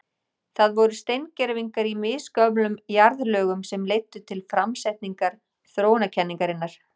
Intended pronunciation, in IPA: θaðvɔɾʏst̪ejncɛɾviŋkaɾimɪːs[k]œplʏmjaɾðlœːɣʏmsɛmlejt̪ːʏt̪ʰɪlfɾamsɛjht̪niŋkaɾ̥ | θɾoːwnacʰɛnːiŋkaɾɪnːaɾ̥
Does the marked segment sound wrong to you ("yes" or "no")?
no